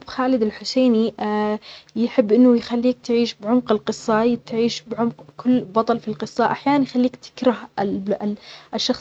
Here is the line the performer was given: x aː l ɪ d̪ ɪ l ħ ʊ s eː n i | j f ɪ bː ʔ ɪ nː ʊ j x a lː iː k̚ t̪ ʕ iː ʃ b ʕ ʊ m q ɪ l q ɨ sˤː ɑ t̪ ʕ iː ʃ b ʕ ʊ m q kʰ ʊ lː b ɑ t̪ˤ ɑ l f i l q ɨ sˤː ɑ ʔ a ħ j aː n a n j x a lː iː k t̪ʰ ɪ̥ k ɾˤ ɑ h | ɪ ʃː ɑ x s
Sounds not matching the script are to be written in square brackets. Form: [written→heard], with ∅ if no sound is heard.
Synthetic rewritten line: x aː l ɪ d̪ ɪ l ħ ʊ s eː n i | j [f→ħ] ɪ bː ʔ ɪ nː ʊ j x a lː iː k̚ t̪ ʕ iː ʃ b ʕ ʊ m q ɪ l q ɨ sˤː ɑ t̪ ʕ iː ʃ b ʕ ʊ m q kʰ ʊ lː b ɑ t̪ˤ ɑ l f i l q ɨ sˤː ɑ ʔ a ħ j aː n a n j x a lː iː k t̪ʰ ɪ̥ k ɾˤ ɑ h | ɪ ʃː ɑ x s